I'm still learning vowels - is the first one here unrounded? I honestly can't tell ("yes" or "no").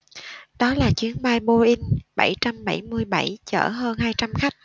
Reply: no